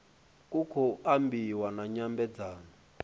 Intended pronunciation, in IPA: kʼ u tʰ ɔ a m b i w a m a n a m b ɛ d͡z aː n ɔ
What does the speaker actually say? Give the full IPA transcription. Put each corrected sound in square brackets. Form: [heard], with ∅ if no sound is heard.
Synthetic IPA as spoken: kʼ u [kʰ] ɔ a m b i w a [n] a [ɲ] a m b ɛ d͡z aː n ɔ